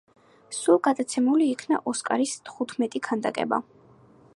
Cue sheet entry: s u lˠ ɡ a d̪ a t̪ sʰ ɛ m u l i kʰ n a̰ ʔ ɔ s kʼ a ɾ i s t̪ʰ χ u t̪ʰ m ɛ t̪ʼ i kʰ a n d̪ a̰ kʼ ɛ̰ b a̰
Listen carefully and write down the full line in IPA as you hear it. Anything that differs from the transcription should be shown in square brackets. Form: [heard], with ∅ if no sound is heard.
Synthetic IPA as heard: s u lˠ ɡ a d̪ a t̪ sʰ ɛ m u l [iː] kʰ n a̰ ʔ ɔ s kʼ a ɾ i s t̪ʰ χ u t̪ʰ m ɛ t̪ʼ i kʰ a n d̪ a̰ kʼ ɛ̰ b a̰